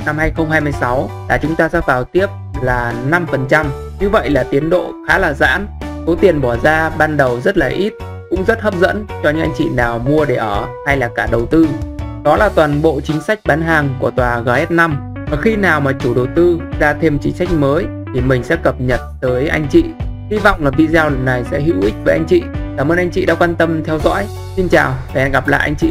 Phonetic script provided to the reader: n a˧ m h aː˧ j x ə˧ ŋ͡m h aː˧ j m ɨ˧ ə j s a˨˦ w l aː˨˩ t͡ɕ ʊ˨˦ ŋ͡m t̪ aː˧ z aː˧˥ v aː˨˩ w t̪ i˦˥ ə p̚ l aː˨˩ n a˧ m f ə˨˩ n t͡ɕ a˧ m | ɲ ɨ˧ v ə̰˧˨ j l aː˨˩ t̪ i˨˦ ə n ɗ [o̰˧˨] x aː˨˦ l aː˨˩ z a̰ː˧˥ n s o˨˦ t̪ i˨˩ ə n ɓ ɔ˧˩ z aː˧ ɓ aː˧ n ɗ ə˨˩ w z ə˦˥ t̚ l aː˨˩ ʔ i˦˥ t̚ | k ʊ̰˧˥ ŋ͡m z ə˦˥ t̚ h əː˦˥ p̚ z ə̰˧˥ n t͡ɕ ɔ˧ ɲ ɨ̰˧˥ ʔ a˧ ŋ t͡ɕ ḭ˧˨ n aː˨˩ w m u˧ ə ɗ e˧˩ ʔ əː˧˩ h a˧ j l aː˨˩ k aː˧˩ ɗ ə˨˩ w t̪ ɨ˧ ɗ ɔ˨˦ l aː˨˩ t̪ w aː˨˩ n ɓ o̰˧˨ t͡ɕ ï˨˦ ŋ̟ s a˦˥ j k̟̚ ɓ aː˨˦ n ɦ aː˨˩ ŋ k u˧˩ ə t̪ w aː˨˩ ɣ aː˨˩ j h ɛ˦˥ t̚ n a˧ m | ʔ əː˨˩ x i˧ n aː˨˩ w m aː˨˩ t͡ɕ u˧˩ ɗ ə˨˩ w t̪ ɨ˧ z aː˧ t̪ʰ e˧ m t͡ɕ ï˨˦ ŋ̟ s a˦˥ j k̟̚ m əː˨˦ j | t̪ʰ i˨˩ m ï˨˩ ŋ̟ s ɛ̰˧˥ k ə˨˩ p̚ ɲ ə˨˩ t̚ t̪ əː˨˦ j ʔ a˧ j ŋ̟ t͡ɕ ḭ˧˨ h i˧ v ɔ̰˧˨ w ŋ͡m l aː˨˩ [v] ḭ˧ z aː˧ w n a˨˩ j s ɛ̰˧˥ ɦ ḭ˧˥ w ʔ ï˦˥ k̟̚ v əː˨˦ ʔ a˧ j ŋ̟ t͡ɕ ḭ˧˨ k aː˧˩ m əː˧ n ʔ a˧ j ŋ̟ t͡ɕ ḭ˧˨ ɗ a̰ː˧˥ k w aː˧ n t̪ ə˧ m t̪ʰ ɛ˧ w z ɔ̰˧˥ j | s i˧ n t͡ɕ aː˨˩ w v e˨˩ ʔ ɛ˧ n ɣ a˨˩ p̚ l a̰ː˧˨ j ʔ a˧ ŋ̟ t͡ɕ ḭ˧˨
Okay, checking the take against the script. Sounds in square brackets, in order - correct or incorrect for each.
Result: correct, correct

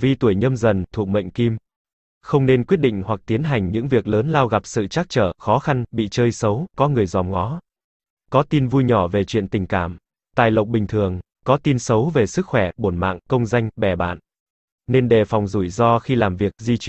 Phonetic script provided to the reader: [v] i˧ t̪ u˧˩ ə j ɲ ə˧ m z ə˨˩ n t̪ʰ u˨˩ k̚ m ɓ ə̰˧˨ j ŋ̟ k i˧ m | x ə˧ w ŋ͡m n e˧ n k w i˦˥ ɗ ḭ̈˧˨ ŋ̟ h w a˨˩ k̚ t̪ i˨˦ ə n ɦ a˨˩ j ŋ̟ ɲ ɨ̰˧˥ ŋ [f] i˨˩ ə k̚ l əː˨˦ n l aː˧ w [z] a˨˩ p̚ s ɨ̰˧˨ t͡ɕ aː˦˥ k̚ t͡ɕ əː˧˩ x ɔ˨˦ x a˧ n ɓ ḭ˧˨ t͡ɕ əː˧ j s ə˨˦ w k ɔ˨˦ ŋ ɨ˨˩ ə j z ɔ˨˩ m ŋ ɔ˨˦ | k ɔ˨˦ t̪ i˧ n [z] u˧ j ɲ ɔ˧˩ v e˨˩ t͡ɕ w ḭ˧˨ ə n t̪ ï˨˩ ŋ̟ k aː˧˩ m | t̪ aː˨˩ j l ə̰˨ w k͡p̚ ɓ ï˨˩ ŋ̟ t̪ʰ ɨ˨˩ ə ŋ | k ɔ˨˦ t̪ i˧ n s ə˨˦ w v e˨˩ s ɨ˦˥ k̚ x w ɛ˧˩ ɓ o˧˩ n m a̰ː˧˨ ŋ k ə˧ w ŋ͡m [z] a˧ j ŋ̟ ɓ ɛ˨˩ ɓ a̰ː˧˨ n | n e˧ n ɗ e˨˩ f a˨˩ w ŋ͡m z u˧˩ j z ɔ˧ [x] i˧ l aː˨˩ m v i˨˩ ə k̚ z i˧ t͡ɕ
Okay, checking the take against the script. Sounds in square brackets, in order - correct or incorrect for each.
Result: correct, incorrect, incorrect, incorrect, correct, correct

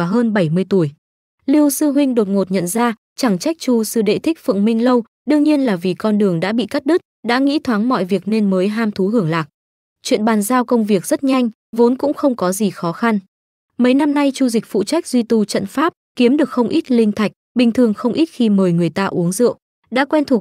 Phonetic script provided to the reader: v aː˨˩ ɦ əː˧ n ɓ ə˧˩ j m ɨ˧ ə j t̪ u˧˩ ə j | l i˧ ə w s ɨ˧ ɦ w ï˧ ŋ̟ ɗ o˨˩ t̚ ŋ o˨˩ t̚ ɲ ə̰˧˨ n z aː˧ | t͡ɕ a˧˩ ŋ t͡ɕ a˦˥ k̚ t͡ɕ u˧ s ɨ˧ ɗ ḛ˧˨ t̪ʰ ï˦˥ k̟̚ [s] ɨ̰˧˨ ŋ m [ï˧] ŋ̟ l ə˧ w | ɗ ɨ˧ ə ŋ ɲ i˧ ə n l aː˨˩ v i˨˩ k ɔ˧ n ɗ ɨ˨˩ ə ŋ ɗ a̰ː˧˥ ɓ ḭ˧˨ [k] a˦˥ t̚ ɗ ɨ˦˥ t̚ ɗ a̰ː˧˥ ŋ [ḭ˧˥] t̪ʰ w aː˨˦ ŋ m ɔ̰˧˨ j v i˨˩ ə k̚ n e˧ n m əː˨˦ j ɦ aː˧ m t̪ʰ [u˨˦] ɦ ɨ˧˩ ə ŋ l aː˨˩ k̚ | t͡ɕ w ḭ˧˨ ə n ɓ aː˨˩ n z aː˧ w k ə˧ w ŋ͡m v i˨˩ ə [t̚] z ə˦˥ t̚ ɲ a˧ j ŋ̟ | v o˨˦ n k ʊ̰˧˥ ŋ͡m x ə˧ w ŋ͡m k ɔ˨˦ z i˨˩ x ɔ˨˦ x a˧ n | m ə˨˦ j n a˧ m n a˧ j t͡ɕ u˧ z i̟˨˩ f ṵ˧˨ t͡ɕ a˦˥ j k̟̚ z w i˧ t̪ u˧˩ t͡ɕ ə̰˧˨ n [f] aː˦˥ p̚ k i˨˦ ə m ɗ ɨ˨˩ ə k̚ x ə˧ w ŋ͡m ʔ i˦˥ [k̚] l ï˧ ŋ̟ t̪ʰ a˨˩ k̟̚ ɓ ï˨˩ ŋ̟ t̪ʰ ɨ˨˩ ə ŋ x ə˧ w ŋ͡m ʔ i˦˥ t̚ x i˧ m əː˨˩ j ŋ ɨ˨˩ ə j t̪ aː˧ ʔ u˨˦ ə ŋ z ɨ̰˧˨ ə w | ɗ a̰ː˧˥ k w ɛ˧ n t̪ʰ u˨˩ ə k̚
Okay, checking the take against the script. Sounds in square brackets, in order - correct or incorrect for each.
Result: incorrect, correct, correct, correct, correct, incorrect, correct, incorrect

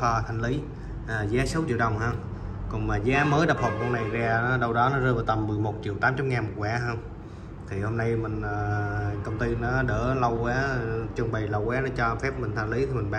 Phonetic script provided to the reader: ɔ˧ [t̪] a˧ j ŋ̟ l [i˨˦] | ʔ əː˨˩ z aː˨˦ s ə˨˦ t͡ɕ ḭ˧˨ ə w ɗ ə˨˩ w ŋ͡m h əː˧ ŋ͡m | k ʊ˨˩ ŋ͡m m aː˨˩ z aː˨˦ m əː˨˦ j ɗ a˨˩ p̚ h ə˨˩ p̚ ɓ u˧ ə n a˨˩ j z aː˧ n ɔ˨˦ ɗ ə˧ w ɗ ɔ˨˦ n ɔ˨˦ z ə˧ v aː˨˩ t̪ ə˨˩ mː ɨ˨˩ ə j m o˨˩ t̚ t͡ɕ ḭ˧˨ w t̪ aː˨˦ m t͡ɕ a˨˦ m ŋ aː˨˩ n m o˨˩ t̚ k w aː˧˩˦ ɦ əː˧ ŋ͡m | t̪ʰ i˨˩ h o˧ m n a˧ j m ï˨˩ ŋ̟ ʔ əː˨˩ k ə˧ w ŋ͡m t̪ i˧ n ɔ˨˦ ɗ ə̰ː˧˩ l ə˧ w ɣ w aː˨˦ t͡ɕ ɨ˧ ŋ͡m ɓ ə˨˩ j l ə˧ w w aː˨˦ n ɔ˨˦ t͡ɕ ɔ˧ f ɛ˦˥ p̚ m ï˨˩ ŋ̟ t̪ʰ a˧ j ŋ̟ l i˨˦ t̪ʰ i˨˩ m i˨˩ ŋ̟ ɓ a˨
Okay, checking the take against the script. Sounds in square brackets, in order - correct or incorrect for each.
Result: incorrect, correct

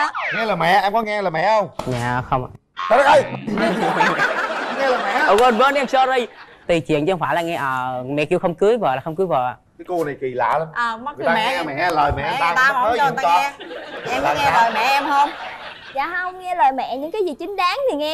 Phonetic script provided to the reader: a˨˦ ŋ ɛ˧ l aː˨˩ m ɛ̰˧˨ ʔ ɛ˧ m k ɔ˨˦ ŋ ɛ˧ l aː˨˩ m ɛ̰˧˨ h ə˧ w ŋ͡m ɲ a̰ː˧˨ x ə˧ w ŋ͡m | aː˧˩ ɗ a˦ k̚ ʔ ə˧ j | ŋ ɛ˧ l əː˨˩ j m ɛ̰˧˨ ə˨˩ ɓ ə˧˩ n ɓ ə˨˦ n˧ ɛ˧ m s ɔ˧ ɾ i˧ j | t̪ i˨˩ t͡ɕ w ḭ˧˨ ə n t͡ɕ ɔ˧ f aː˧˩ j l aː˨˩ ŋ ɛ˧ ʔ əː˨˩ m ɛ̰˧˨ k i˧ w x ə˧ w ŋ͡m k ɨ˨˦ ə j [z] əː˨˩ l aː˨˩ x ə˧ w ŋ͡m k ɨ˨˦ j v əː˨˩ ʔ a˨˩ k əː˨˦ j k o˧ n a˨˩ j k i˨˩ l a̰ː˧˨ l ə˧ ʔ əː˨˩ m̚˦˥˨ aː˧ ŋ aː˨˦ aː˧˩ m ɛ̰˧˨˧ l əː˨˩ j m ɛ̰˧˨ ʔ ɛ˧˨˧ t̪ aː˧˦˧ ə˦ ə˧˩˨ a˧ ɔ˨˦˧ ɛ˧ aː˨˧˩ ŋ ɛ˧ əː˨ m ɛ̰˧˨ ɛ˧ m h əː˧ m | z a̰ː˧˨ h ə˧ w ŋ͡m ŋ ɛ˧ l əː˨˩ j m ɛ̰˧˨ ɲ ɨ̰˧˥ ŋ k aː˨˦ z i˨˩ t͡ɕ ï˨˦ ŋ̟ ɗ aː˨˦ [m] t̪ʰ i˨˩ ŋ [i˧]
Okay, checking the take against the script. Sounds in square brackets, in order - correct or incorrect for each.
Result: incorrect, incorrect, incorrect

